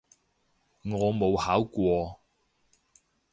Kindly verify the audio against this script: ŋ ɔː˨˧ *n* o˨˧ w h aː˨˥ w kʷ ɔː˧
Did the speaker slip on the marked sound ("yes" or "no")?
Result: yes